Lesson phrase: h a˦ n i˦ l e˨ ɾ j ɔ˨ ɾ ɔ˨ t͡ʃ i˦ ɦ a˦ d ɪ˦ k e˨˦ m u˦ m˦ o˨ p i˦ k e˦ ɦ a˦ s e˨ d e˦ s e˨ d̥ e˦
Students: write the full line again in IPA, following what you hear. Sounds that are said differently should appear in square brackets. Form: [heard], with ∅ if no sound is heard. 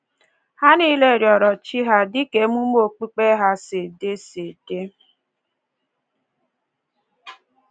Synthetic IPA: h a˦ n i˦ l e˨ ɾ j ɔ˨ ɾ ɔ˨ t͡ʃ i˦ ɦ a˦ d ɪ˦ k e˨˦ m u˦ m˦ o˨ [k͡p] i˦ [k͡p] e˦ ɦ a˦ s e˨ d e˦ s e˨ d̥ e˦